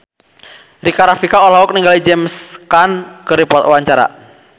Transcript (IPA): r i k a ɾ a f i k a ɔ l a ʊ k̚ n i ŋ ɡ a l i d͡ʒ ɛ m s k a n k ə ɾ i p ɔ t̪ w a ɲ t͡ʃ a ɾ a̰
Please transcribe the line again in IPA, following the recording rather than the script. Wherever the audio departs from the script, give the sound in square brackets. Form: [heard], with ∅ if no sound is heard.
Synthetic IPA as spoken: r i k a ɾ a f i k a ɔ l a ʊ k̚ n i ŋ ɡ a l i d͡ʒ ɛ m s k a n k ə ɾ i p ɔ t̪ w a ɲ t͡ʃ a ɾ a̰